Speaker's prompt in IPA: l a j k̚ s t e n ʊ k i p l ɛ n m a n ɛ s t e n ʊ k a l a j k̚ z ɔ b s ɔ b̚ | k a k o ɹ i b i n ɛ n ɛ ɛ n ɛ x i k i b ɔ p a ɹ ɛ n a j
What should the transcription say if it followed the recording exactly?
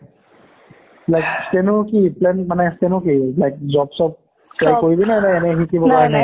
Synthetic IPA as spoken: l a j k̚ s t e n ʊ k i p l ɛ n m a n ɛ s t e n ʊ k i l a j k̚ z ɔ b s ɔ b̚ | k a k o ɹ i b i n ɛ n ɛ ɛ n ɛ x i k i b ɔ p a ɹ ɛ n a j